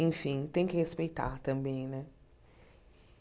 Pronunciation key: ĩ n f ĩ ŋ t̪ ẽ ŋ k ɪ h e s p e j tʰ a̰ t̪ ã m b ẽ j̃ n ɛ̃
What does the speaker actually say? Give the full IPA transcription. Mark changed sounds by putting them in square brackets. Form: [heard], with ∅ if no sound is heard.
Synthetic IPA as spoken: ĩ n f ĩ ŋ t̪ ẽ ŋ k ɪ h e s p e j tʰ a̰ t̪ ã m b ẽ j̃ n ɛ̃